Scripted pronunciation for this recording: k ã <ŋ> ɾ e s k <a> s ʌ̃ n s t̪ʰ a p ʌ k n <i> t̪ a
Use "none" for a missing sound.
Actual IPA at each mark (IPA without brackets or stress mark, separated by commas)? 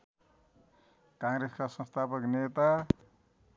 ŋ, a, e